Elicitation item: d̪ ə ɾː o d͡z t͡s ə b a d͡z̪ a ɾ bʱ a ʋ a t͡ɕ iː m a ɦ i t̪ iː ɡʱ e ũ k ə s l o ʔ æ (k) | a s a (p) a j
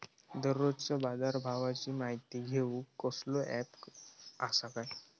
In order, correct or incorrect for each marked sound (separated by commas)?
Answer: incorrect, incorrect